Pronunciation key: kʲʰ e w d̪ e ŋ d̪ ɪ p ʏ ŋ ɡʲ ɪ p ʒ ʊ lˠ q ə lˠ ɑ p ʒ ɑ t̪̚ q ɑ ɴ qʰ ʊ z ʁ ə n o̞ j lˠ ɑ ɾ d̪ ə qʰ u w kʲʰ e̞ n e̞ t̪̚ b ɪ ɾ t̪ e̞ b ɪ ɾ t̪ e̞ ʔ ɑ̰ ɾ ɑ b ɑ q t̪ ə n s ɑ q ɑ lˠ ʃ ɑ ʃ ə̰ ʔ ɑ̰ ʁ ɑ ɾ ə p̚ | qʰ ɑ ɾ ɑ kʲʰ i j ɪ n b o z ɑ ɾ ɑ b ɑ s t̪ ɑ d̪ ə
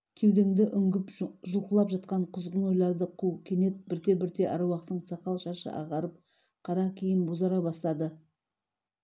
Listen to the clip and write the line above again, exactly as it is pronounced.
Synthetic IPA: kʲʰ e w d̪ e ŋ d̪ ɪ ʔ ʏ ŋ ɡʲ ɪ p ʒ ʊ lˠ q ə lˠ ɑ p ʒ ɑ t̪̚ q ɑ ɴ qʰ ʊ z ʁ ə n o̞ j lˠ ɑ ɾ d̪ ə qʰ u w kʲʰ e̞ n e̞ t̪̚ b ɪ ɾ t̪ e̞ b ɪ ɾ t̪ e̞ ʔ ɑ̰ ɾ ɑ w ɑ q t̪ ə ɴ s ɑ q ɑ lˠ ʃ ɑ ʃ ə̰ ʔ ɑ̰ ʁ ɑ ɾ ə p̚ | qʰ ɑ ɾ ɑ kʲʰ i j ɪ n b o z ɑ ɾ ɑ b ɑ s t̪ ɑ d̪ ə